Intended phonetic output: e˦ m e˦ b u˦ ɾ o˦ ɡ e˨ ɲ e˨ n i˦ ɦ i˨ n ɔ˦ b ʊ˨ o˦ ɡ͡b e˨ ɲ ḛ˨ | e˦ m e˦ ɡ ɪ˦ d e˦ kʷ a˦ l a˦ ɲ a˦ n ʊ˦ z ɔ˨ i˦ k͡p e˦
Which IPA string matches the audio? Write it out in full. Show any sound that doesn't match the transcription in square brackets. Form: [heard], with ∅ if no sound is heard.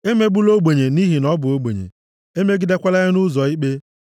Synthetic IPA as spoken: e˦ m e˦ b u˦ [l] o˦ [ɡ͡b] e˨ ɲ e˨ n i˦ ɦ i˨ n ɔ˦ b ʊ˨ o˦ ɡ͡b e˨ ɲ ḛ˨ | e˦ m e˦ ɡ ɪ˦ d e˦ kʷ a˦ l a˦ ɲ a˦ n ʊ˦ z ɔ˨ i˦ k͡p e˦

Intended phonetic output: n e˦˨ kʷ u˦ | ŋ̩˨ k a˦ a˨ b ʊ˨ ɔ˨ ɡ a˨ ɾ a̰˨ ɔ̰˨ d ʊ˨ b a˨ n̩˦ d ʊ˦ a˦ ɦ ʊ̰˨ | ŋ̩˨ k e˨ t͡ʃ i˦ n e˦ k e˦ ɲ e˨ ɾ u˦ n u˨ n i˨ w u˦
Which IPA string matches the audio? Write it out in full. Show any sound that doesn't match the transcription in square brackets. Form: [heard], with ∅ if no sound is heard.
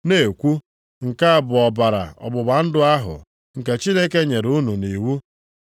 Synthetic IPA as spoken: n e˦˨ kʷ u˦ | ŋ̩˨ k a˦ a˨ b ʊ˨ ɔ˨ [b] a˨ ɾ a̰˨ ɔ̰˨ [b] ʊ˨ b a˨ n̩˦ d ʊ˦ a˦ ɦ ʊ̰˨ | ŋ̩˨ k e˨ t͡ʃ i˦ n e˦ k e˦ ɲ e˨ ɾ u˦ n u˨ n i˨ w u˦

